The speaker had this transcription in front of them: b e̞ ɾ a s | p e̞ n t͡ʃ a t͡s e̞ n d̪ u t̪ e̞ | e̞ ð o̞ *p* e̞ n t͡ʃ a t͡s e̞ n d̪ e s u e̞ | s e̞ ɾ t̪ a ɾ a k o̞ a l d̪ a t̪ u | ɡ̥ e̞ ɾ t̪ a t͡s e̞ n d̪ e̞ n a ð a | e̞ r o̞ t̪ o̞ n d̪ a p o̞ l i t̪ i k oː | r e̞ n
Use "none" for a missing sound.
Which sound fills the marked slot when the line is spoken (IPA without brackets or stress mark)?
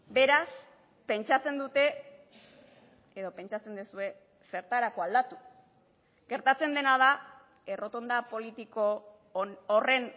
p